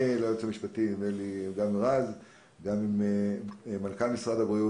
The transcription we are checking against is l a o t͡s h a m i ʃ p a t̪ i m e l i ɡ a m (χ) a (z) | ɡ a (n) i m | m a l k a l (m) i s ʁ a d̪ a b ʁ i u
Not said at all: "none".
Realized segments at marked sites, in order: ʁ, z, m, m

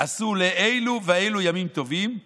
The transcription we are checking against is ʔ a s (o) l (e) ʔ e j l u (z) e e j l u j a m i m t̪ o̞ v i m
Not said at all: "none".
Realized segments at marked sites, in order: u, e, v

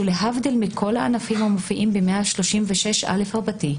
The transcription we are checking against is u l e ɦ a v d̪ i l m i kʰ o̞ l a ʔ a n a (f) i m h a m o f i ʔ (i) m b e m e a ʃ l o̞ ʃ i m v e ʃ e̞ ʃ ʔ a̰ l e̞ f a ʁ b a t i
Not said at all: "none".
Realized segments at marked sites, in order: f, i

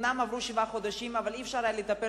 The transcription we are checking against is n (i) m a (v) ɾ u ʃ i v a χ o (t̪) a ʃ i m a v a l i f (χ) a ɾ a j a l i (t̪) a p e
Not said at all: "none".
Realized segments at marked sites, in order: a, v, d̪, ʃ, t̪

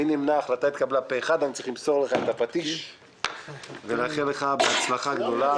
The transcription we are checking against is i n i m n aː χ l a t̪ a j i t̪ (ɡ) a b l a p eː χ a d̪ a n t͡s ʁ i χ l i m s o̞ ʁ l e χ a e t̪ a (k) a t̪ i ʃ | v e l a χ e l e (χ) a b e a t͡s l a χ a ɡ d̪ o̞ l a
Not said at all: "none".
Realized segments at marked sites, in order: k, p, χ

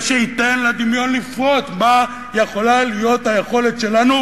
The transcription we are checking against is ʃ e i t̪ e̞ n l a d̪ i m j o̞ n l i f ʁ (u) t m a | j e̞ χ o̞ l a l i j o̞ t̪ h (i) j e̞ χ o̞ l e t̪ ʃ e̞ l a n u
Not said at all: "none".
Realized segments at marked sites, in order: o, a

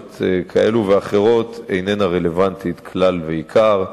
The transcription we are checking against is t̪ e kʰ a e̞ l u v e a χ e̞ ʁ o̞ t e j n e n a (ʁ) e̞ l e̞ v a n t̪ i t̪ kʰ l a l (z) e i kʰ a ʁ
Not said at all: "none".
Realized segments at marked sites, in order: ʁ, v

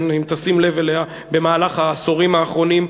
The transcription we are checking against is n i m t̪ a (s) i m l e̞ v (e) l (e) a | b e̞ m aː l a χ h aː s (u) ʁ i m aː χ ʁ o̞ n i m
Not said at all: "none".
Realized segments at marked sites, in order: s, e, e, o

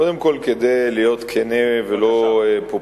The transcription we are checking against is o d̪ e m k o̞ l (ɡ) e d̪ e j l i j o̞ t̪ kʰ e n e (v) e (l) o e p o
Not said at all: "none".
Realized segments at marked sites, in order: k, v, l

